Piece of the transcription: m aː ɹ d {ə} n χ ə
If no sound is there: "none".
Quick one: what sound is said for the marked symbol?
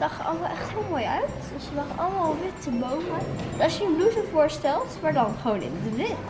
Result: ɑ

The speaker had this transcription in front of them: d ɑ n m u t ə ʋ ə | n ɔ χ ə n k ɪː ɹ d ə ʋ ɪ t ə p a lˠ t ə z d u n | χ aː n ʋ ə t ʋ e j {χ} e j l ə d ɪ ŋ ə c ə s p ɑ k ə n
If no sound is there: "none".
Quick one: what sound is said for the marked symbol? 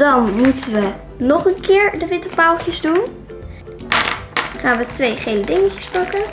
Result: χ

